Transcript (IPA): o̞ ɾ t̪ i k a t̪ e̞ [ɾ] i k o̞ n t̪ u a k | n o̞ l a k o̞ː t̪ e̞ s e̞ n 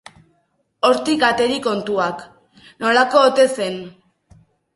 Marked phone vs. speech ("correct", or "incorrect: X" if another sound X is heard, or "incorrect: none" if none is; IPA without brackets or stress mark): correct